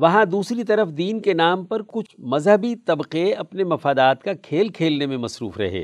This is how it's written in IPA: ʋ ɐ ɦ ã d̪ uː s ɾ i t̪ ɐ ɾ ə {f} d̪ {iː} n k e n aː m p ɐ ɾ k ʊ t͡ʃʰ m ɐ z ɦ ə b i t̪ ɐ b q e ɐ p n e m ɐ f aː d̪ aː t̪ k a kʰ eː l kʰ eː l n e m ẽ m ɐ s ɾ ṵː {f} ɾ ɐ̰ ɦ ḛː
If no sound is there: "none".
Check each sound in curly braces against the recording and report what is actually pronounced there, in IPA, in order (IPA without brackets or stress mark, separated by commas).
f, iː, f